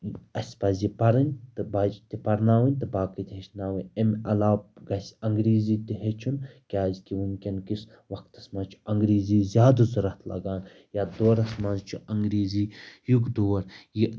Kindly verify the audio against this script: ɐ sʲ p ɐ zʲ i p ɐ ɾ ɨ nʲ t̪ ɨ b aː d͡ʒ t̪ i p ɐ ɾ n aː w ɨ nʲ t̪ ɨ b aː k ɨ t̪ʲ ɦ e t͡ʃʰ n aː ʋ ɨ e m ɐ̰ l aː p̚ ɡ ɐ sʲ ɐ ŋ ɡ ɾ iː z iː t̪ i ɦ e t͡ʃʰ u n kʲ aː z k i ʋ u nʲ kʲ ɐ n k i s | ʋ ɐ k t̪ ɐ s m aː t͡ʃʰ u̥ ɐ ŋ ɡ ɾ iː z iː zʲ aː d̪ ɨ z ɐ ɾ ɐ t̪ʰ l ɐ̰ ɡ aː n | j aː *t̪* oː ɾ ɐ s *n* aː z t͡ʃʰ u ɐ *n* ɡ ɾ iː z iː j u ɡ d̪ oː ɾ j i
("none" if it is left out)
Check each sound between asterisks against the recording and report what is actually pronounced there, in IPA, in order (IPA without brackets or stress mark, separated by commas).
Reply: d̪, m, ŋ